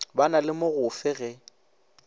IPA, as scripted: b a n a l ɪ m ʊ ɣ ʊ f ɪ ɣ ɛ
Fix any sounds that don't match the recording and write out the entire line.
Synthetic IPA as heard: b a n a l ɪ m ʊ ɣ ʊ f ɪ ɣ ɛ